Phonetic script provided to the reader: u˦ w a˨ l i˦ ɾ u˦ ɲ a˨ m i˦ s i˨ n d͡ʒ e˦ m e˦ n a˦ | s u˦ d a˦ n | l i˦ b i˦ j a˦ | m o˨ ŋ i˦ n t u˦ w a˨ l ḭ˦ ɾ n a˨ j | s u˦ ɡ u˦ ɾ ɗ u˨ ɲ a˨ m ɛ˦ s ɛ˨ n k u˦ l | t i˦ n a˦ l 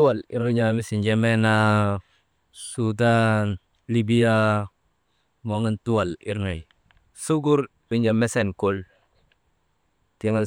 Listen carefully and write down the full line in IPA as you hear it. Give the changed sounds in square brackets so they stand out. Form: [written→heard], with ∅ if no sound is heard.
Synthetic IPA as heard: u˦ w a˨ l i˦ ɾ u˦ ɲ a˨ m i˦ s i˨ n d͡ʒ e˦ m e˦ n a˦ | s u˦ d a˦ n | l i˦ b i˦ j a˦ | m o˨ ŋ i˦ n t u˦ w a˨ l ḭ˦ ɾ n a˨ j | s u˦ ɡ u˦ ɾ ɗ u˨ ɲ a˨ m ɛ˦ s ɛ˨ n k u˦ l | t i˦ [n→ŋ] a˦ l

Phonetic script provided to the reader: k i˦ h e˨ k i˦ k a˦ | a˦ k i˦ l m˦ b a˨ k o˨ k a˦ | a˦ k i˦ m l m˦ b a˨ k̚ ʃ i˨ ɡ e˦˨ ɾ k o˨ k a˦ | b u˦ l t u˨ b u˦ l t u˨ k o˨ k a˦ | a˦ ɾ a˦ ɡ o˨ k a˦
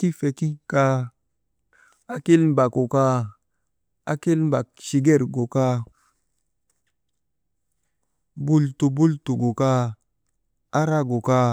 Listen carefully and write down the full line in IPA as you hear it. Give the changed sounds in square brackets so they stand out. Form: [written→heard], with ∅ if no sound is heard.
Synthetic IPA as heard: k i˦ [h→f] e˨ k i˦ k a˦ | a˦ k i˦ l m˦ b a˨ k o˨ k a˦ | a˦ k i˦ [m→∅] l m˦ b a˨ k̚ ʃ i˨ ɡ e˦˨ ɾ [k→ɡ] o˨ k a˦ | b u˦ l t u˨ b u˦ l t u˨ [k→ɡ] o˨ k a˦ | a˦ ɾ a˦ ɡ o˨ k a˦

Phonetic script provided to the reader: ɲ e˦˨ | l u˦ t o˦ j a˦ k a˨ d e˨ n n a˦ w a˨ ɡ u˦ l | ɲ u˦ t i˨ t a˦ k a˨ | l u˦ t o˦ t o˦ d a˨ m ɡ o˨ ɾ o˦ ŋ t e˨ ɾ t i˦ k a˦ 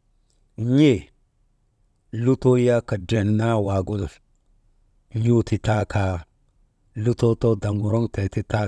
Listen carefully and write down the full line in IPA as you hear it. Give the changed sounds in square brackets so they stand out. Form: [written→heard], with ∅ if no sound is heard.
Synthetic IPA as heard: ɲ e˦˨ | l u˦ t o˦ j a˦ k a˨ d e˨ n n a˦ w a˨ ɡ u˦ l | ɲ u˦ t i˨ t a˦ k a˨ | l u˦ t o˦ t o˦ d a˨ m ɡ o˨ ɾ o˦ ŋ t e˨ [ɾ→∅] t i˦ [k→t] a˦

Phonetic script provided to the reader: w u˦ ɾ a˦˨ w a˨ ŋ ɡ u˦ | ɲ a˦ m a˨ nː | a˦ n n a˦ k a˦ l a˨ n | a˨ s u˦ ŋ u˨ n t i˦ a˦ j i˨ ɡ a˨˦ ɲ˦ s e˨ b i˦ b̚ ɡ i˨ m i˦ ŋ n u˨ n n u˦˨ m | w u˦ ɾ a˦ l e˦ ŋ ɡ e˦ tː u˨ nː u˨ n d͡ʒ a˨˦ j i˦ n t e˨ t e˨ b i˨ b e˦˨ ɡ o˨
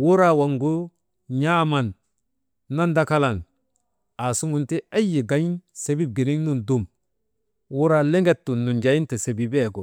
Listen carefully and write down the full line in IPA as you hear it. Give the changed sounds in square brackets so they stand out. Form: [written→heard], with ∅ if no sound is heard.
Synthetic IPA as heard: w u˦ ɾ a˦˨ w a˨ ŋ ɡ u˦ | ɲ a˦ m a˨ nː | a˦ n [n→d] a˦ k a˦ l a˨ n | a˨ s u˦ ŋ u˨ n t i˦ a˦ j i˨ ɡ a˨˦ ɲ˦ s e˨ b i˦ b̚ ɡ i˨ [m→n] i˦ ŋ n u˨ n [n→d] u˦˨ m | w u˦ ɾ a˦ l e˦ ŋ ɡ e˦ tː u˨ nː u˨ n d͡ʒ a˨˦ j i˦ n t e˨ [t→s] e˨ b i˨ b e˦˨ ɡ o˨

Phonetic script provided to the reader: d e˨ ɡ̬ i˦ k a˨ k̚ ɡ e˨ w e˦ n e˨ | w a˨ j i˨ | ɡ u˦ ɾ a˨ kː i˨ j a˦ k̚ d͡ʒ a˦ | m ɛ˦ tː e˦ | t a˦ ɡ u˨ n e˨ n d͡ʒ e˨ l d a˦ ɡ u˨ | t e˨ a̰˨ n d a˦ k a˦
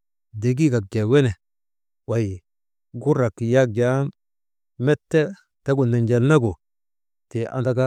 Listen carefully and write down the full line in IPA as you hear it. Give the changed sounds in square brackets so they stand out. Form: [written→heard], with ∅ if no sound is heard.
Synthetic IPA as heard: d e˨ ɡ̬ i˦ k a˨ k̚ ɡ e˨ w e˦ n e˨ | w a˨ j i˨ | ɡ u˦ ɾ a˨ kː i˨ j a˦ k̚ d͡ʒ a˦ | m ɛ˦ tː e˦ | t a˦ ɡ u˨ n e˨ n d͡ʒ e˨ l [d→n] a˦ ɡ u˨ | t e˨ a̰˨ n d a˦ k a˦

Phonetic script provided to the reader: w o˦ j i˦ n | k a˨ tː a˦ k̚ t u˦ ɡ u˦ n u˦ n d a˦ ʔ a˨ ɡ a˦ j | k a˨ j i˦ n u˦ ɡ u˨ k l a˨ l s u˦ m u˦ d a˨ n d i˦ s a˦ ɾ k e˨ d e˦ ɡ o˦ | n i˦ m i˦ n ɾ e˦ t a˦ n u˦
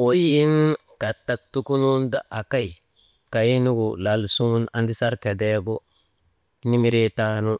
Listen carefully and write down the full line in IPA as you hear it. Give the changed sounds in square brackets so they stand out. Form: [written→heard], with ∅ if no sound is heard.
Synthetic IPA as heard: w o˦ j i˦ n | k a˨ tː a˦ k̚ t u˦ [ɡ→k] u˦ n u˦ n d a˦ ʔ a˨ [ɡ→k] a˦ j | k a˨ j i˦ n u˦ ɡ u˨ [k→∅] l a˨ l s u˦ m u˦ [d→n] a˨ n d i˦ s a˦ ɾ k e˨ d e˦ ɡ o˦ | n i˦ m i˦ [n→∅] ɾ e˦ t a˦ n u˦

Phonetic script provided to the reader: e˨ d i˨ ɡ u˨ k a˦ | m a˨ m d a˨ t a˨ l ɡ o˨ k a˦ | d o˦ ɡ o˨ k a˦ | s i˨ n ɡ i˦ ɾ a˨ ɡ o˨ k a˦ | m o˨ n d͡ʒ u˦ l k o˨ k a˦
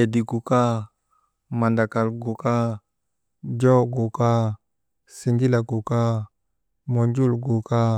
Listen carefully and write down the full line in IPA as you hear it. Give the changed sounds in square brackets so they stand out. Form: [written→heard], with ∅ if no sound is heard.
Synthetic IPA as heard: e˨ d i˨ ɡ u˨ k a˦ | m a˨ [m→n] d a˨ [t→k] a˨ l ɡ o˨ k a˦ | [d→d͡ʒ] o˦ ɡ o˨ k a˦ | s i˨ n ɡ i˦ [ɾ→l] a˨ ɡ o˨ k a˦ | m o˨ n d͡ʒ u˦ l [k→ɡ] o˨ k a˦

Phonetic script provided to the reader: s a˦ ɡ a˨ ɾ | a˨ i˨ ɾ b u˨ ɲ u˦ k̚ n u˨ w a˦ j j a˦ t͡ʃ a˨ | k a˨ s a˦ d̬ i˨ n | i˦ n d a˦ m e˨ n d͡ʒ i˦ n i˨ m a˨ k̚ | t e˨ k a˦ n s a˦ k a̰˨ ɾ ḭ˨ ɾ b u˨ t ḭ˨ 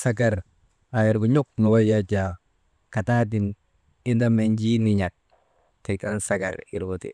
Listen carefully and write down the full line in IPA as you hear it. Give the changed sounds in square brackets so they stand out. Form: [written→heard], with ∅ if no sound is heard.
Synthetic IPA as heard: s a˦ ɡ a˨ ɾ | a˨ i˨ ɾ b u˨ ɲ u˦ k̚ n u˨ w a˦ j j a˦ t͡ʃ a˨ | k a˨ [s→t] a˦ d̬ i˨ n | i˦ n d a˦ m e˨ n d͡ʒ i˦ n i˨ [m→ɲ] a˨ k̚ | t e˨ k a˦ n s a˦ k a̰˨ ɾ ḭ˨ ɾ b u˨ t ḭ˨

